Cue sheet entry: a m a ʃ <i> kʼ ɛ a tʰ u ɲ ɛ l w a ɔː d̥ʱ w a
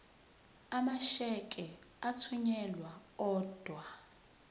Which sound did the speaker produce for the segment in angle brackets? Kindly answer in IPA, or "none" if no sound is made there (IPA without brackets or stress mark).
ɛ